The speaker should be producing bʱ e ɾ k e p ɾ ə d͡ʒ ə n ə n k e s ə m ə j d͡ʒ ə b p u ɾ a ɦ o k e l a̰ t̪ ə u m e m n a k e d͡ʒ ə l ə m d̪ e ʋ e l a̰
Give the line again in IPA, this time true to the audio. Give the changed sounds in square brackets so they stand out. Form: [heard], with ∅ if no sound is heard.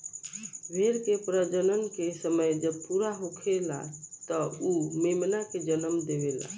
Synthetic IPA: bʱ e ɾ k e p ɾ ə d͡ʒ ə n ə n k e s ə m ə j d͡ʒ ə b p u ɾ a ɦ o [kʰ] e l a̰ t̪ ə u m e m n a k e d͡ʒ ə l ə m d̪ e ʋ e l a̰